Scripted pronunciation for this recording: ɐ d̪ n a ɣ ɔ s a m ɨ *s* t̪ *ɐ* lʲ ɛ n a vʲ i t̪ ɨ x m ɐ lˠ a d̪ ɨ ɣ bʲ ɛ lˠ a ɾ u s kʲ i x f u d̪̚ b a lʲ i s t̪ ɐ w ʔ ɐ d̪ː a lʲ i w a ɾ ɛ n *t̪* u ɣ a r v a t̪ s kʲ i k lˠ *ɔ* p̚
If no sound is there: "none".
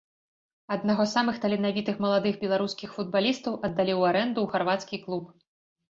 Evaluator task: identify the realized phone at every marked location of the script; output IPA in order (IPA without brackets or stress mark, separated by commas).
x, ɐ, d̪, u